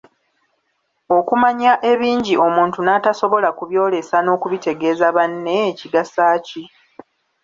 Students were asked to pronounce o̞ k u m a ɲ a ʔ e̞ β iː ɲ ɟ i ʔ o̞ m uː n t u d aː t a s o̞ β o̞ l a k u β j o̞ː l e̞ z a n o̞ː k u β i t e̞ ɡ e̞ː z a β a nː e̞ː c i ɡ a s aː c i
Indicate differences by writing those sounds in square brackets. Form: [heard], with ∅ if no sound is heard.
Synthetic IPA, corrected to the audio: o̞ k u m a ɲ a ʔ e̞ β iː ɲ ɟ i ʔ o̞ m uː n t u [n] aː t a s o̞ β o̞ l a k u β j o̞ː l e̞ [s] a n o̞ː k u β i t e̞ ɡ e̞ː z a β a nː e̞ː c i ɡ a s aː c i

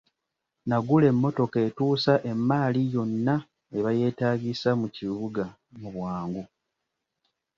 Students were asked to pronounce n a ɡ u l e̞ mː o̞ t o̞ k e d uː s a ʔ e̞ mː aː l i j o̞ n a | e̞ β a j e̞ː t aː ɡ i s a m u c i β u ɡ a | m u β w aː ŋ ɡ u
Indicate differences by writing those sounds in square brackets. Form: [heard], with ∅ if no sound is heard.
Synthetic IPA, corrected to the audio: n a ɡ u l e̞ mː o̞ t o̞ k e [t] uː s a ʔ e̞ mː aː l i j o̞ [nː] a | e̞ β a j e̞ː t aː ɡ i s a m u c i β u ɡ a | m u β w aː ŋ ɡ u

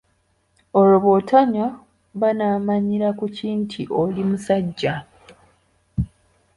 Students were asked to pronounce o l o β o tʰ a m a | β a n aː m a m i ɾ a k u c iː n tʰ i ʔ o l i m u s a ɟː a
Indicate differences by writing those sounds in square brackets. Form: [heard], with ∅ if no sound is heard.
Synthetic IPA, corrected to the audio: o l o β o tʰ a [ɲ] a | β a n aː m a [ɲ] i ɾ a k u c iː n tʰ i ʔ o l i m u s a ɟː a

